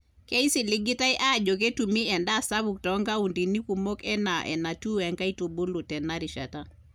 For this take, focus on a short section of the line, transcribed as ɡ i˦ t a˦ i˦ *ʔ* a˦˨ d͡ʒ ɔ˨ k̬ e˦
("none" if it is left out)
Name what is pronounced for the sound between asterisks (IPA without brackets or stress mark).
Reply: ʔ